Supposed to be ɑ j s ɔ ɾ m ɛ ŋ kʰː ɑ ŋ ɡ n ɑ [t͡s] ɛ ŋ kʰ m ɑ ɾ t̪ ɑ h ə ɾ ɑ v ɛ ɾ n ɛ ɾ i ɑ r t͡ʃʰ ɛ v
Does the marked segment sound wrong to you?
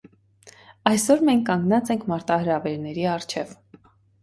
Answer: no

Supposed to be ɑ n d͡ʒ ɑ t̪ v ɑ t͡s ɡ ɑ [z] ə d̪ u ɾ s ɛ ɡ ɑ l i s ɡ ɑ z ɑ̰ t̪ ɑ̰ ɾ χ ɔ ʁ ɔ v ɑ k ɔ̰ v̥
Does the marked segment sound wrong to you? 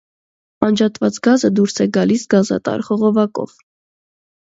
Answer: no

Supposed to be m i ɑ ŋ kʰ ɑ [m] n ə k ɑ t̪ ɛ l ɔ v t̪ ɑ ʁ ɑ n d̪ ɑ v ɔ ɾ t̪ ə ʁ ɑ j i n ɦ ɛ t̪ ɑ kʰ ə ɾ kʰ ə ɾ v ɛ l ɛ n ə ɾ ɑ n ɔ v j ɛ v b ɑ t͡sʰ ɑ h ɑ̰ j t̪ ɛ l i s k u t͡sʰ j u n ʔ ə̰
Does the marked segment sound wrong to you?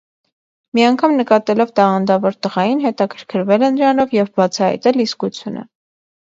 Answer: no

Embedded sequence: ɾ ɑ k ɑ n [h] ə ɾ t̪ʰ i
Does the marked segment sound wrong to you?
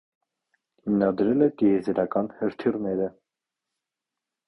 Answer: no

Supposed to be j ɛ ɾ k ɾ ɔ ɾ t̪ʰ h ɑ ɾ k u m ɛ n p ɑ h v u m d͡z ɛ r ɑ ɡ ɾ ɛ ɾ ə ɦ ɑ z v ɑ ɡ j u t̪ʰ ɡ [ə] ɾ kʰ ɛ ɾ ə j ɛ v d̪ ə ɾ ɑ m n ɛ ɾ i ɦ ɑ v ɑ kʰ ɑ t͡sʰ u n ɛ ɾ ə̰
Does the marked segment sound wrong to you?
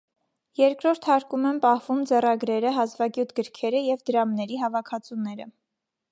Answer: no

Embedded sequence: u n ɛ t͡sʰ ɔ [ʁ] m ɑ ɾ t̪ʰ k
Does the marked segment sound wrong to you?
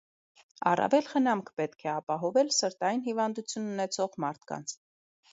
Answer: no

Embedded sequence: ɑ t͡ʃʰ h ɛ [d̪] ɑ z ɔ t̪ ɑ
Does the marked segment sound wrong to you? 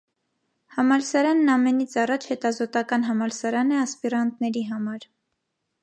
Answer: yes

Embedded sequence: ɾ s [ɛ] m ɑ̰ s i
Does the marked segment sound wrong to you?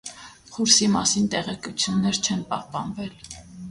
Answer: yes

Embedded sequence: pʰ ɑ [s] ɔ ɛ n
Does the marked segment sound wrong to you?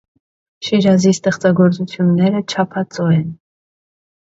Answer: yes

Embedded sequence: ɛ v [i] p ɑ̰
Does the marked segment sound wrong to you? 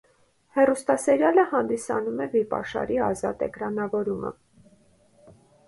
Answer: no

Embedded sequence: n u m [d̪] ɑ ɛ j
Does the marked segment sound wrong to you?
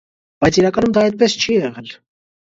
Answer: no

